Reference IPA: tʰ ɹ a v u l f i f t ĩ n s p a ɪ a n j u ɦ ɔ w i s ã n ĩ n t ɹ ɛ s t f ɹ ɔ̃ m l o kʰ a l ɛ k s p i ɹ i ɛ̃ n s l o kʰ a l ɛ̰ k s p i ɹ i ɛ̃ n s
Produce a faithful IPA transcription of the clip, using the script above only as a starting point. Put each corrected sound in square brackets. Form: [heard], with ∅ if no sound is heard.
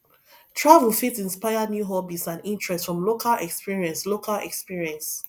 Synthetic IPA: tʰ ɹ a v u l f i [∅] t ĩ n s p a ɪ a n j u ɦ ɔ [b] i s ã n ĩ n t ɹ ɛ s t f ɹ ɔ̃ m l o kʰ a l ɛ k s p i ɹ i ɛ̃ n s l o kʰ a l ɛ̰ k s p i ɹ i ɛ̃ n s